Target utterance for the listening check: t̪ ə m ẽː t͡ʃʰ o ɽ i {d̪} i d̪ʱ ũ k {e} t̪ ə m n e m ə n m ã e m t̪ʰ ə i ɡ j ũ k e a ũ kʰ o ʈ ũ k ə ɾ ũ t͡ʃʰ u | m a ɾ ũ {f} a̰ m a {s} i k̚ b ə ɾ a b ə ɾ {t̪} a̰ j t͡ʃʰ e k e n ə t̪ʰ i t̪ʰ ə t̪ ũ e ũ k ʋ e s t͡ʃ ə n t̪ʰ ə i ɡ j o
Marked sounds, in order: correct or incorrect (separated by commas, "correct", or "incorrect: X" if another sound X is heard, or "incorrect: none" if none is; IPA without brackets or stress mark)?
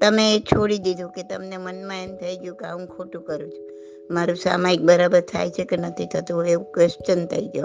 correct, correct, incorrect: s, incorrect: none, incorrect: t̪ʰ